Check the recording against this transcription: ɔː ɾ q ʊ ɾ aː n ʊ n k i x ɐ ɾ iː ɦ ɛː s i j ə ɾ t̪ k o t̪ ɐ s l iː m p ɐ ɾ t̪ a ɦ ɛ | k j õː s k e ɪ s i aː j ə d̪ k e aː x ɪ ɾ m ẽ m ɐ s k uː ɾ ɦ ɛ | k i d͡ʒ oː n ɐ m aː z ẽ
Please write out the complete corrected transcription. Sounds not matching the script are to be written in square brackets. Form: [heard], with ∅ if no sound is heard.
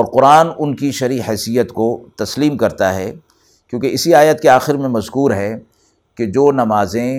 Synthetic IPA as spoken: ɔː ɾ q ʊ ɾ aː n ʊ n k i [ʃ] ɐ ɾ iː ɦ ɛː s i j ə [∅] t̪ k o t̪ ɐ s l iː m [k] ɐ ɾ t̪ a ɦ ɛ | k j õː [∅] k e ɪ s i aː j ə [t̪] k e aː x ɪ ɾ m ẽ m ɐ [z] k uː ɾ ɦ ɛ | k [e] d͡ʒ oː n ɐ m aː z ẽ